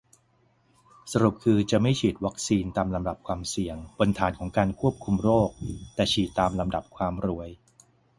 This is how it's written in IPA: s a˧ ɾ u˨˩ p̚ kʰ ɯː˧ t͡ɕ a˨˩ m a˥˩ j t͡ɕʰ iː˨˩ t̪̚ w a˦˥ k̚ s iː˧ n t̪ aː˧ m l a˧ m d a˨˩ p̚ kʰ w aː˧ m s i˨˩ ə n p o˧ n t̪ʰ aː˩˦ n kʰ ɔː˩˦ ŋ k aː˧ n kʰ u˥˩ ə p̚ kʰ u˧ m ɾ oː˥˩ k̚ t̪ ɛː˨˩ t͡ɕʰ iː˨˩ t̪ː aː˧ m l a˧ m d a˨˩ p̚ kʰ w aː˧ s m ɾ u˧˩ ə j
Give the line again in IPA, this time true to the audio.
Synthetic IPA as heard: s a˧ ɾ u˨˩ p̚ kʰ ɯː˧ t͡ɕ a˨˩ m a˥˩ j t͡ɕʰ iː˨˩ t̪̚ w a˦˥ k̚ s iː˧ n t̪ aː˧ m l a˧ m d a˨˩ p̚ kʰ w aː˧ m s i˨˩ ə ŋ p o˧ n t̪ʰ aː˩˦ n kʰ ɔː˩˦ ŋ k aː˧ n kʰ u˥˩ ə p̚ kʰ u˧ m ɾ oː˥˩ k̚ t̪ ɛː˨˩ t͡ɕʰ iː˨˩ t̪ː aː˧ m l a˧ m d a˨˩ p̚ kʰ w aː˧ m ɾ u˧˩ ə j